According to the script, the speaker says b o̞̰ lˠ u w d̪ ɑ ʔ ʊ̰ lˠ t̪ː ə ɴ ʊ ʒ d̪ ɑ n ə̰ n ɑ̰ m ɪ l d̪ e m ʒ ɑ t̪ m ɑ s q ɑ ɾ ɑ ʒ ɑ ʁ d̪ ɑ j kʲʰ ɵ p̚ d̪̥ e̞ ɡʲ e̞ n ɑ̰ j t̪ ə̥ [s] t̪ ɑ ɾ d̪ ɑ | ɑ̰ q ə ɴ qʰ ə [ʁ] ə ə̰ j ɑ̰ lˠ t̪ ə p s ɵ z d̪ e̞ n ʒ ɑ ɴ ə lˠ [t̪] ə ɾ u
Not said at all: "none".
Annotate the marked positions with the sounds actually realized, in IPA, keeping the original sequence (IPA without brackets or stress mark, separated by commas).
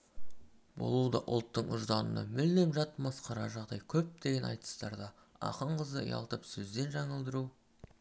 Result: s, z, d̪